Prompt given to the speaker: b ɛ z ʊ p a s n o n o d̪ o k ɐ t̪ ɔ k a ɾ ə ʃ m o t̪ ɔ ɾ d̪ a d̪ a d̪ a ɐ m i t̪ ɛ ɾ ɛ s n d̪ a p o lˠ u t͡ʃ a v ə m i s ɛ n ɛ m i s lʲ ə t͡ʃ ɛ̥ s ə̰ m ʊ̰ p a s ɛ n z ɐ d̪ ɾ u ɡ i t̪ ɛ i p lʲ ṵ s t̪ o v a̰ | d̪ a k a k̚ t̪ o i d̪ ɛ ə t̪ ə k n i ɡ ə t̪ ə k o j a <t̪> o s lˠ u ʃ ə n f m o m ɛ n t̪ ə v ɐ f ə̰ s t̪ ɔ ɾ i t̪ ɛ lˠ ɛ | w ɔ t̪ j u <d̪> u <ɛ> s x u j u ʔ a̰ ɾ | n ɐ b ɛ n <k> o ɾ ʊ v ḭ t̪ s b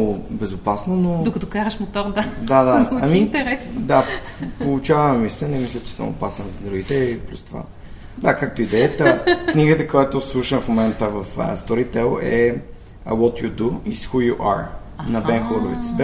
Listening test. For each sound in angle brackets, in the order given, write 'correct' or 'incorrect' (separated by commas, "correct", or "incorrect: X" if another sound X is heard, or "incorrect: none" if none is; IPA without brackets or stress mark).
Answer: correct, correct, incorrect: i, incorrect: x